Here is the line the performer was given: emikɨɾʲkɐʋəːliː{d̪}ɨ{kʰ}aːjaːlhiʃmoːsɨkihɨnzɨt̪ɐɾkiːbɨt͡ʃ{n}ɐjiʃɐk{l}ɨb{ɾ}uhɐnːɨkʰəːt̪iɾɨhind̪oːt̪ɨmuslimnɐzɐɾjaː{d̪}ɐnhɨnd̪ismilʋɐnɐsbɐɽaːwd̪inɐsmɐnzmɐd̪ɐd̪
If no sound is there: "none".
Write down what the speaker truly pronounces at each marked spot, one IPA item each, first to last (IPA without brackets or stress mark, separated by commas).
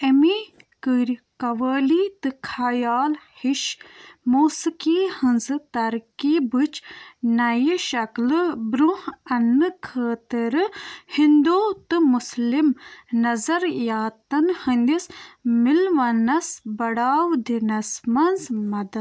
t̪, kʰ, n, l, ɾ, t̪